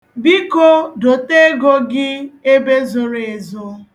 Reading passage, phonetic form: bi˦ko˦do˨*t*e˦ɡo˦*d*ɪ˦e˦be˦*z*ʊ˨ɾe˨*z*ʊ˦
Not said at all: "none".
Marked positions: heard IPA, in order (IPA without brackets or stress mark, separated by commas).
t, ɡ, z, z